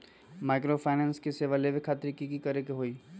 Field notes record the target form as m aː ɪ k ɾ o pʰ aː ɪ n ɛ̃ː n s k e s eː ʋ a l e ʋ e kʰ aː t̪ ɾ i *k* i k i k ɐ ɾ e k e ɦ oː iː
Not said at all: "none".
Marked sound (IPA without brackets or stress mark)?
k